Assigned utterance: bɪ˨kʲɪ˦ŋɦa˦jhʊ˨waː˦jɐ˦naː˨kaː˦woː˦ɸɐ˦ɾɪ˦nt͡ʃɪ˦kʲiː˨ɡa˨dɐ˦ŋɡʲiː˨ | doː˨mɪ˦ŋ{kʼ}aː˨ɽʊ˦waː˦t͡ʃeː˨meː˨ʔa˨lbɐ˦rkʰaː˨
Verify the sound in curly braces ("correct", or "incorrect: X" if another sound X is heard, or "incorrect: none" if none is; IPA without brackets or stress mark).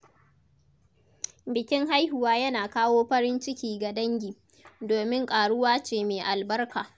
correct